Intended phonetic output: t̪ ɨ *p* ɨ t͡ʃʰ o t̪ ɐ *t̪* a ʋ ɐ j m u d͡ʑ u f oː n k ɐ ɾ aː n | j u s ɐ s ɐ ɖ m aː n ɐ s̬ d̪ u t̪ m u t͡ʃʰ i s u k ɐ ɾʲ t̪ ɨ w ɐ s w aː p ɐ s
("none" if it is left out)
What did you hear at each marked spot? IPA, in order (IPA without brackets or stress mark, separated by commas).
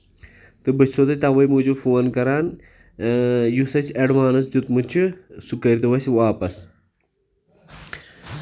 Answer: b, t̪